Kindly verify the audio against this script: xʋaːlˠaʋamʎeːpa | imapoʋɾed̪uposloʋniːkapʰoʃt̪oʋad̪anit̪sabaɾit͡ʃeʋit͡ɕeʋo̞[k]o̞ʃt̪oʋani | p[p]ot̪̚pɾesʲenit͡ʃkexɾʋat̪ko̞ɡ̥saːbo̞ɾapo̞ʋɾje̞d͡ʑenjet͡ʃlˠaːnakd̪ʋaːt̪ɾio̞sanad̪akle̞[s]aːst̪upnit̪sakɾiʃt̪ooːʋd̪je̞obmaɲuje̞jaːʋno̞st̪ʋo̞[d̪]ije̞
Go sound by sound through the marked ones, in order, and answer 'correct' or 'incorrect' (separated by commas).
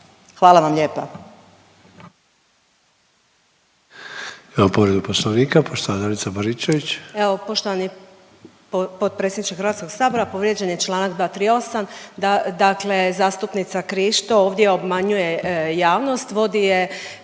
incorrect, correct, incorrect, correct